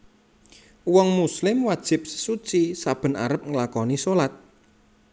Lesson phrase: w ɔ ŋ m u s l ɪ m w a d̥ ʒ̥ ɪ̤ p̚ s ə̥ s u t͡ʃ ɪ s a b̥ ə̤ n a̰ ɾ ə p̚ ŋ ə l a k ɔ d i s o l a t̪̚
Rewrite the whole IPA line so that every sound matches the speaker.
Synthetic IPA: w ɔ ŋ m u s l ɪ m w a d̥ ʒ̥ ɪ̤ p̚ s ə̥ s u t͡ʃ i s a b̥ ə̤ n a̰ ɾ ə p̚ ŋ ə l a k ɔ n i s o l a t̪̚